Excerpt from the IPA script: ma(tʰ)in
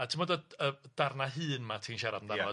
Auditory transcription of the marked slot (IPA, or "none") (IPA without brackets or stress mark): tʰ